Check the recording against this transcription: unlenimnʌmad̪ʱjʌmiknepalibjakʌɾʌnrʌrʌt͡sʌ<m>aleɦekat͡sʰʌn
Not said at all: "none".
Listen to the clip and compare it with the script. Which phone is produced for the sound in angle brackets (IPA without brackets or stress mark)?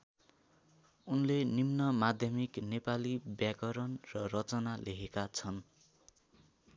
n